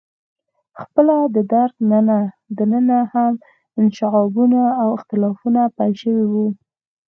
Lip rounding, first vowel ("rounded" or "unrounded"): unrounded